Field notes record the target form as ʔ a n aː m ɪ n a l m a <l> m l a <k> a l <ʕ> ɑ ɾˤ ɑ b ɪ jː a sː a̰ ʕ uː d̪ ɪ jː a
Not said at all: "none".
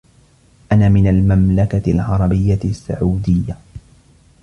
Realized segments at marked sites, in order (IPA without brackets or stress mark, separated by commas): none, k, ʕ